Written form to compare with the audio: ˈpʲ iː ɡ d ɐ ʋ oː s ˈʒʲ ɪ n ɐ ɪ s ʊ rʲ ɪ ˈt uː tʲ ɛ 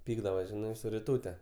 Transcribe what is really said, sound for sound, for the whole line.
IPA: ˈpʲ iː ɡ d ɐ ʋ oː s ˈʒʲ ɪ n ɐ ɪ s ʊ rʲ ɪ ˈt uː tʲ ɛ